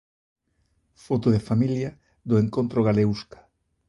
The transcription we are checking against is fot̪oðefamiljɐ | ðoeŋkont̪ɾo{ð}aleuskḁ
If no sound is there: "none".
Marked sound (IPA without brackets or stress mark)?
ɣ